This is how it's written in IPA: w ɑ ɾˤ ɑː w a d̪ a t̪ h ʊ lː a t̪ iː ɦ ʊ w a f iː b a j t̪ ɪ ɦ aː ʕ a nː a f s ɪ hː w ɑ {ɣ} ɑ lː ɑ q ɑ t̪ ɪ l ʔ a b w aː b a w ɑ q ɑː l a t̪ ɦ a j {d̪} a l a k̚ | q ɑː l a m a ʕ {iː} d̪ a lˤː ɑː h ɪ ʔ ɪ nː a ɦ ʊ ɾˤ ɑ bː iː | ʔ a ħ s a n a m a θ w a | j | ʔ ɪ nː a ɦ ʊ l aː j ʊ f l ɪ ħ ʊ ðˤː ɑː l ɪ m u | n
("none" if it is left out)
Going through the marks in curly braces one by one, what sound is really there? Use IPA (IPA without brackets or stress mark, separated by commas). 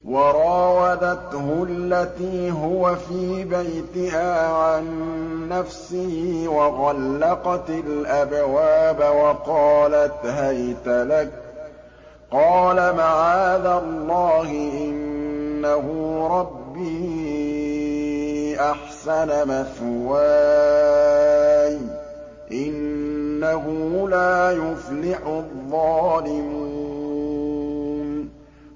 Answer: ɣ, t̪, aː